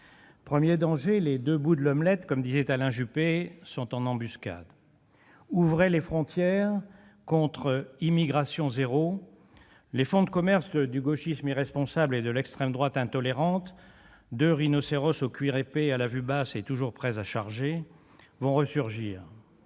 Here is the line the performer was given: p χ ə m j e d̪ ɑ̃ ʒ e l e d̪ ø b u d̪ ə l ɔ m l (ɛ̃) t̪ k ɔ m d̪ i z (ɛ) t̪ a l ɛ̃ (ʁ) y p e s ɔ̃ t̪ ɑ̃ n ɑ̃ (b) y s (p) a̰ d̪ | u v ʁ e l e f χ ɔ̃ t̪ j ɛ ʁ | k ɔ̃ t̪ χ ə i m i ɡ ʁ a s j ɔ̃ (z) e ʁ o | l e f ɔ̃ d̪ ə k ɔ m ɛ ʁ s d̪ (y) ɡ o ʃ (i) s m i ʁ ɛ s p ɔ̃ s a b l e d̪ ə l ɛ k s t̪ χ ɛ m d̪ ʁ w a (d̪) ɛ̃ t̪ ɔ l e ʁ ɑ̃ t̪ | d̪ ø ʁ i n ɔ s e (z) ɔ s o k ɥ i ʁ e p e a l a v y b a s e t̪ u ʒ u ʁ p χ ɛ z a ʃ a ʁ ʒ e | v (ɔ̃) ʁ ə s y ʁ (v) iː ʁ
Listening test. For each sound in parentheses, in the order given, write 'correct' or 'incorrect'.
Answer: incorrect: ɛ, correct, incorrect: ʒ, correct, incorrect: k, correct, correct, correct, incorrect: t̪, incorrect: ʁ, correct, incorrect: ʒ

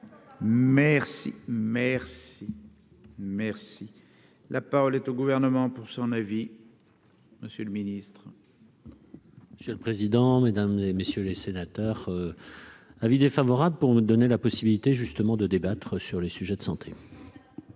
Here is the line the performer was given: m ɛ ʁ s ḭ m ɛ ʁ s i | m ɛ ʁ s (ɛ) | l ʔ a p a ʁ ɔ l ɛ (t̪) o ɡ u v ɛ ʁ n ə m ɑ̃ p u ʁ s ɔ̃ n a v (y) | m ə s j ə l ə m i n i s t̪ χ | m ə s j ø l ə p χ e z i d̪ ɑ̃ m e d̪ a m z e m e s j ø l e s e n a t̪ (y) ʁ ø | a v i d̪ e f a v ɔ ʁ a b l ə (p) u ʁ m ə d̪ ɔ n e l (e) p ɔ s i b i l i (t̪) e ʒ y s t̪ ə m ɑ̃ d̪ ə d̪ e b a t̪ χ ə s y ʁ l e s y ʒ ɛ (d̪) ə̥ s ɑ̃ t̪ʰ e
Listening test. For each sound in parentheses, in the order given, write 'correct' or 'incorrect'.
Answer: incorrect: i, correct, incorrect: i, incorrect: œ, correct, incorrect: a, correct, correct

